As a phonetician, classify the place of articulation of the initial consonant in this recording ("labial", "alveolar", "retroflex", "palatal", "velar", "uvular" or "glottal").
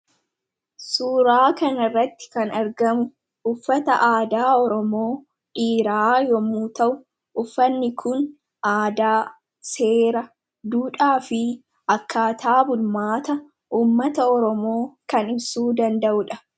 alveolar